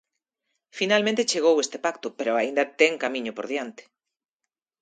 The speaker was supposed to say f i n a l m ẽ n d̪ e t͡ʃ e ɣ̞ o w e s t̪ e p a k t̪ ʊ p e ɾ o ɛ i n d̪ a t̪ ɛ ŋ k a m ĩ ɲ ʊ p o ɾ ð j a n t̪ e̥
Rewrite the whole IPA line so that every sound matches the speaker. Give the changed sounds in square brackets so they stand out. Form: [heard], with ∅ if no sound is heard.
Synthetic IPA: f i n a l m ẽ n [t̪] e t͡ʃ e ɣ̞ o w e s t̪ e p a k t̪ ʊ p e ɾ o [a] i n d̪ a t̪ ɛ ŋ k a m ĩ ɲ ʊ p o ɾ ð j a n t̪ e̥